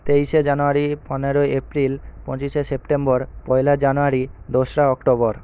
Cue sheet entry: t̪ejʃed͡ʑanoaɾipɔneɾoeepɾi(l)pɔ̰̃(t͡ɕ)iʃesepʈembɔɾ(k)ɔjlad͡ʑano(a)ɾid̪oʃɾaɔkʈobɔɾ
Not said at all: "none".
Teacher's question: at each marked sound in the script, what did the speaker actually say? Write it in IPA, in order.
l, t͡ɕ, p, a

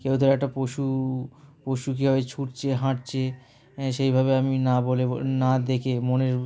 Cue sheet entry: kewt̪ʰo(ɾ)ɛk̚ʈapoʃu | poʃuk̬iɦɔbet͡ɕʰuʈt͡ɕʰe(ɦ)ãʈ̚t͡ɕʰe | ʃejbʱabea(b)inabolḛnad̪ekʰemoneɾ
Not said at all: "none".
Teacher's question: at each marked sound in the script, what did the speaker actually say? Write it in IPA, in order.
ɾ, ɦ, m

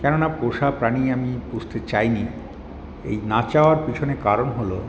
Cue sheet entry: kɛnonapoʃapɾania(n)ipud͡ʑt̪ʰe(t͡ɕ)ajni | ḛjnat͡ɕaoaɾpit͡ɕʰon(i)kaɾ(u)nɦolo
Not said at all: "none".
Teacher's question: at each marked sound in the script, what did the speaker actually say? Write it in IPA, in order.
m, t͡ɕ, e, o

